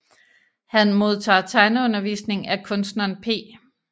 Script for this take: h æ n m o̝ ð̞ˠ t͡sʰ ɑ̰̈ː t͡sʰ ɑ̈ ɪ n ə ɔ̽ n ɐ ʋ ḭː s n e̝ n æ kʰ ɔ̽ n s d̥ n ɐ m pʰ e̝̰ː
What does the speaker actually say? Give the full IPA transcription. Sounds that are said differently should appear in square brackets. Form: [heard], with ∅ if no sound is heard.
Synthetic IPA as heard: h æ n m o̝ ð̞ˠ t͡sʰ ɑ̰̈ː t͡sʰ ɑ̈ ɪ n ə ɔ̽ n ɐ ʋ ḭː s n e̝ [ŋ] æ kʰ ɔ̽ n s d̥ n ɐ [n] pʰ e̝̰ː